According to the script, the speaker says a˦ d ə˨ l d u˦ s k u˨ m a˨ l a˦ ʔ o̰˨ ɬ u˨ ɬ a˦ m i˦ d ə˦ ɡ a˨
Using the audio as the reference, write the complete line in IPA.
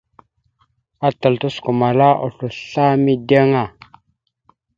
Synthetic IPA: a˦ t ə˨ l t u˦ s k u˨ m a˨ l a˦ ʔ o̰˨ ɬ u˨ ɬ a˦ m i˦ d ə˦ ŋ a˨